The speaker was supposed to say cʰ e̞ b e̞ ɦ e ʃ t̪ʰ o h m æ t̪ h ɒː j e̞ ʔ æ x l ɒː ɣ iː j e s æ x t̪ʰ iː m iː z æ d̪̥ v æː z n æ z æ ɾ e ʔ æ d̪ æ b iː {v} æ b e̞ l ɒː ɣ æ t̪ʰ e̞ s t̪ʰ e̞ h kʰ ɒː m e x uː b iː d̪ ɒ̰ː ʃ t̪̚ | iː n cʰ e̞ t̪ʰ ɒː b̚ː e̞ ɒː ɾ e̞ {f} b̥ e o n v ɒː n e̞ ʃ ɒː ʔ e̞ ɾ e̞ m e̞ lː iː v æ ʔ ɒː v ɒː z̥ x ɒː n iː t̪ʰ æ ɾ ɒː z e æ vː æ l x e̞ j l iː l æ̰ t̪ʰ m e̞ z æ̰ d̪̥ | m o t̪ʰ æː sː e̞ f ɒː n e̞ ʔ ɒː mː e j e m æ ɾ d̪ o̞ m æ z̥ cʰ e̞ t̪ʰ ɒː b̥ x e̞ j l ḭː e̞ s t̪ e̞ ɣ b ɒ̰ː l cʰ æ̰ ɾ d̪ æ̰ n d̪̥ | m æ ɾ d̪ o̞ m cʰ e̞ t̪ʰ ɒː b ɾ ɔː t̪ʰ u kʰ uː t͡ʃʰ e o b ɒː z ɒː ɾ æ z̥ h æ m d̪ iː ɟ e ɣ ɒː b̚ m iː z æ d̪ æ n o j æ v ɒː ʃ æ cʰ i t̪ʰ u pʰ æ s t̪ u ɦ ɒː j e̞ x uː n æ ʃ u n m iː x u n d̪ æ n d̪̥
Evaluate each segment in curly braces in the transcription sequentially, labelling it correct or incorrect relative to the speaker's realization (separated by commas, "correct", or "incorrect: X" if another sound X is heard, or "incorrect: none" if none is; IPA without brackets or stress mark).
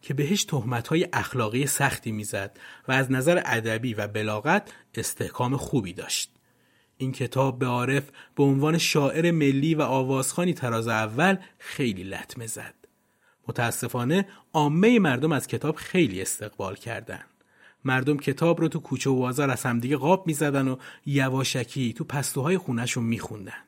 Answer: correct, correct